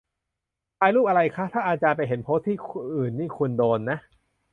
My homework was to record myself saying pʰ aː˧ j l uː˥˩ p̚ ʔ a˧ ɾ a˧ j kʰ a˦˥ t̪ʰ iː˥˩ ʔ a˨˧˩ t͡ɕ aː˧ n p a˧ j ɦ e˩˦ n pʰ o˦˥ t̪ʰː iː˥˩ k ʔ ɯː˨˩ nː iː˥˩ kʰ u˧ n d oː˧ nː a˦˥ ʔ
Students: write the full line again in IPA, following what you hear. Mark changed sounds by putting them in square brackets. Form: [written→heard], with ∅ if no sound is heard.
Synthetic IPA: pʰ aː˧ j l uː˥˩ p̚ ʔ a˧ ɾ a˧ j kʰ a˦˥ t̪ʰ [iː˥˩→aː˥˩] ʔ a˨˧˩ t͡ɕ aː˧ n p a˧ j ɦ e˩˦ n pʰ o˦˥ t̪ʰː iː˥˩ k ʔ ɯː˨˩ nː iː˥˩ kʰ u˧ n d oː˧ nː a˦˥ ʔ